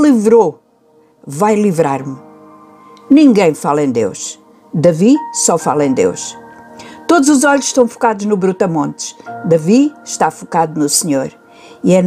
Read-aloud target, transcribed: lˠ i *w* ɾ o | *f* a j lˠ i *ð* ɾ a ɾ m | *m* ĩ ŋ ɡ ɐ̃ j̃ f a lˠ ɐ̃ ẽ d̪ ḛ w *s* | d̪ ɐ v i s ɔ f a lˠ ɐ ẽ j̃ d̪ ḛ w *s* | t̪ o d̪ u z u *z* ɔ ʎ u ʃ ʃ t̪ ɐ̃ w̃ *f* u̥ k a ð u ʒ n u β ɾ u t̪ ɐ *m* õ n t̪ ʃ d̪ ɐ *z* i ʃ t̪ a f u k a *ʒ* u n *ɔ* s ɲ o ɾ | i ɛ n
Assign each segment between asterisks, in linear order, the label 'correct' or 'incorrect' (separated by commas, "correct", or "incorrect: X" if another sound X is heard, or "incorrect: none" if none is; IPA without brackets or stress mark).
incorrect: v, incorrect: v, incorrect: v, incorrect: n, incorrect: ʃ, incorrect: ʃ, correct, correct, correct, incorrect: v, incorrect: ð, incorrect: u